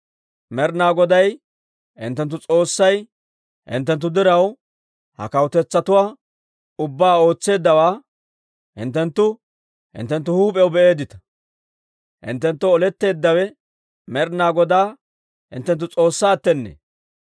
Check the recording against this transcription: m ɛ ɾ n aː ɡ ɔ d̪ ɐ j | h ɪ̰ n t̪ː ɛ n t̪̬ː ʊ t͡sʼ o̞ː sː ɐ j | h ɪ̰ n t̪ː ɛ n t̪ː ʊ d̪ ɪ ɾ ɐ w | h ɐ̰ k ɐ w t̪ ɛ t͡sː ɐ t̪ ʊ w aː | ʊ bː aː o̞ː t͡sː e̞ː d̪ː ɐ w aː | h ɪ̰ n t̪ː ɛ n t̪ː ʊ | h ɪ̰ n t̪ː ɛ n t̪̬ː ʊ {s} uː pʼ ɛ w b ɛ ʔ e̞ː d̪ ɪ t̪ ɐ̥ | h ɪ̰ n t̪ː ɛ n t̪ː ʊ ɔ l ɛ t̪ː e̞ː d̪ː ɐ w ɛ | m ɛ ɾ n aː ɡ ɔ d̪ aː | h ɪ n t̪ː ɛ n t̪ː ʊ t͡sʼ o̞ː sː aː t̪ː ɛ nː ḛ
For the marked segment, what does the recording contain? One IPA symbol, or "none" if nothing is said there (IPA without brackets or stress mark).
h